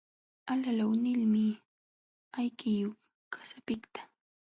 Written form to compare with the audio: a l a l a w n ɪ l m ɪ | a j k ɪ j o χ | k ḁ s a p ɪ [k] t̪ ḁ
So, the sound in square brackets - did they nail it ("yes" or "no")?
yes